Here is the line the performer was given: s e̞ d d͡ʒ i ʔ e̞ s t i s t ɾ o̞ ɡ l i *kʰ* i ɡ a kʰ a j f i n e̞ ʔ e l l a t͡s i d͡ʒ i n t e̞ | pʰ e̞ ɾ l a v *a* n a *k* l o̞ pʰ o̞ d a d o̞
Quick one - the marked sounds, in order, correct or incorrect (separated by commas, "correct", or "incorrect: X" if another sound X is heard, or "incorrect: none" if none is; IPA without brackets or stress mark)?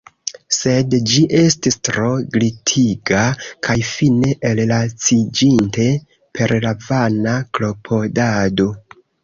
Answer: incorrect: tʰ, correct, correct